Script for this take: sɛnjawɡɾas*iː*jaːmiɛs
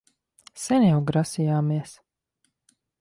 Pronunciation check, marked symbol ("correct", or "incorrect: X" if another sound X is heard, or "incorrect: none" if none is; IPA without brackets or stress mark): incorrect: i